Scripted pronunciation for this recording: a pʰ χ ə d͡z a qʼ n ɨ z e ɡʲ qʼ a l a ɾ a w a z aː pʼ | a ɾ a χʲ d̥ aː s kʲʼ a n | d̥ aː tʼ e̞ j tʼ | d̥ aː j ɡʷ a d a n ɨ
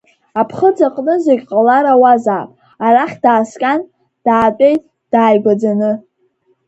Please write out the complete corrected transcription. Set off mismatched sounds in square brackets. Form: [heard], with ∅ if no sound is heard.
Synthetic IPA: a pʰ χ ə d͡z a qʼ n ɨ z e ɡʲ qʼ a l a ɾ a w a z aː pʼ | a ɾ a χʲ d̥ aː s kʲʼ a n | d̥ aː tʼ e̞ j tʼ | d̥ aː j ɡʷ a [d͡z] a n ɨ